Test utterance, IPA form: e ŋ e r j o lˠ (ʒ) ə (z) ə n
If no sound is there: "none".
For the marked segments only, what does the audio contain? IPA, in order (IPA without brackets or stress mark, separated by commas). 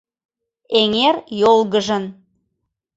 ɣ, ʒ